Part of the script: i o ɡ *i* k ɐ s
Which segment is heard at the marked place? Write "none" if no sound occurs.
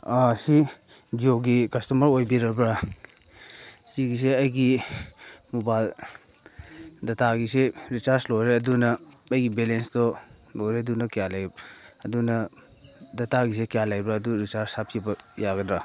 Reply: i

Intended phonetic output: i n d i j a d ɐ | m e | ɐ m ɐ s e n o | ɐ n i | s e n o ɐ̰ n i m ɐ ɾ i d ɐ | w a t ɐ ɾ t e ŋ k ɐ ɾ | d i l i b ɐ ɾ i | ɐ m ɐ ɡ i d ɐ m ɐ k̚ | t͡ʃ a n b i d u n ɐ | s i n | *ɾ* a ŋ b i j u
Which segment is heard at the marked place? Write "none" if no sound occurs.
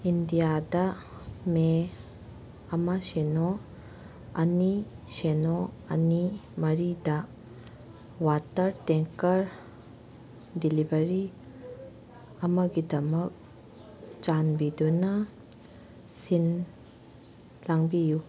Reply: l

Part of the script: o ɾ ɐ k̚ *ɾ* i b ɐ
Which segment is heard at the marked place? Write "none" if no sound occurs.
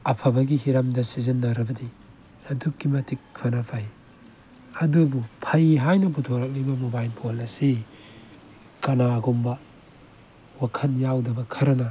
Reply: l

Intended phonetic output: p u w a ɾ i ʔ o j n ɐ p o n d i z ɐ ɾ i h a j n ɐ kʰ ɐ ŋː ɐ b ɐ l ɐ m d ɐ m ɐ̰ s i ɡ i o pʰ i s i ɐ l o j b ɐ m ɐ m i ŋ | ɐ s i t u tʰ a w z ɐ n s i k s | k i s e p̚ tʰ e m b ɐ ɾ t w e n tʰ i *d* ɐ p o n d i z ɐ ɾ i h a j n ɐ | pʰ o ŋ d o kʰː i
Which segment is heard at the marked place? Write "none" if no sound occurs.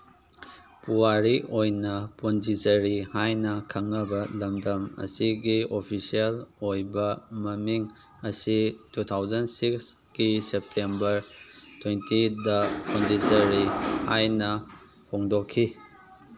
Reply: d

